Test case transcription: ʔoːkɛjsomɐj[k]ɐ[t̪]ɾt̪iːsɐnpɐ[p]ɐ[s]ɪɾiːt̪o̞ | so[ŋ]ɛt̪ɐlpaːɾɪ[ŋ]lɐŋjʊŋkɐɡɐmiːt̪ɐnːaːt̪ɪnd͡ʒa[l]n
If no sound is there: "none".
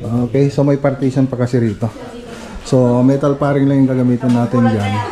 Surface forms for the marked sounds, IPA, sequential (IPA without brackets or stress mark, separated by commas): p, none, k, s, m, ŋ, none